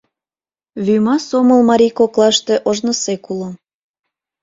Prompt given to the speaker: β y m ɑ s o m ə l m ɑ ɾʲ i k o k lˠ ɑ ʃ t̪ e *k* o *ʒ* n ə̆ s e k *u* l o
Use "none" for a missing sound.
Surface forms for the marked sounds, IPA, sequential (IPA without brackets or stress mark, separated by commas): ʔ, ʒ, u